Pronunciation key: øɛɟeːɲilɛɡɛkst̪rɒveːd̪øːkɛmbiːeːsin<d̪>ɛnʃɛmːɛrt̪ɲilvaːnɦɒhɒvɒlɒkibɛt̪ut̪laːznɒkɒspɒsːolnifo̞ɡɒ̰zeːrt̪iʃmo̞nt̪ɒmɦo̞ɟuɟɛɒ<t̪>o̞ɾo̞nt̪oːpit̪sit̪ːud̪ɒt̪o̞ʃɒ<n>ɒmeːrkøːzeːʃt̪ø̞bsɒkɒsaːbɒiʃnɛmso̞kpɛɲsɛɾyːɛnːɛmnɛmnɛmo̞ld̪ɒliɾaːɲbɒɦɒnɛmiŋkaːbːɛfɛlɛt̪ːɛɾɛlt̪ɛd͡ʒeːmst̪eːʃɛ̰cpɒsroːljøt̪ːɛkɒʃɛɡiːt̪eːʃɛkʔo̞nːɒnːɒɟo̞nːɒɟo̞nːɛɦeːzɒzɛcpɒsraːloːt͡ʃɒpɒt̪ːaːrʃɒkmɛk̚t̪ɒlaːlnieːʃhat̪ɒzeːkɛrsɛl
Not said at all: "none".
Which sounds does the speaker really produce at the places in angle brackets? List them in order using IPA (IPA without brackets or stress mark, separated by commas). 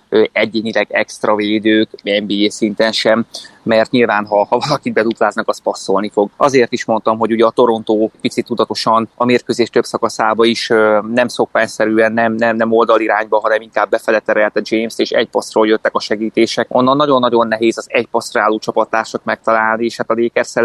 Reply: t̪, t̪, n